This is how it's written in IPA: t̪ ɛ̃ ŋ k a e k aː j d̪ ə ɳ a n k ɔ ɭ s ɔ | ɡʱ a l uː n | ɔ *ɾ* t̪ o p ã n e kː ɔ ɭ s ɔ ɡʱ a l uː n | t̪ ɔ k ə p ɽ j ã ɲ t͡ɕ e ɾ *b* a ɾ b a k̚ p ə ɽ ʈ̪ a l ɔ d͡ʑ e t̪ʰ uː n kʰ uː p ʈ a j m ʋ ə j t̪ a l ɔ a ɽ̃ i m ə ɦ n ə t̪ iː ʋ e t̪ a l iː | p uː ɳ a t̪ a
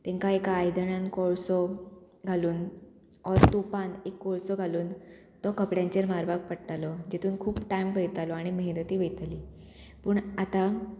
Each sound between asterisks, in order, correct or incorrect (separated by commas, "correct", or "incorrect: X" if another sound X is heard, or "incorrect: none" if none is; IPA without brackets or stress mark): correct, incorrect: m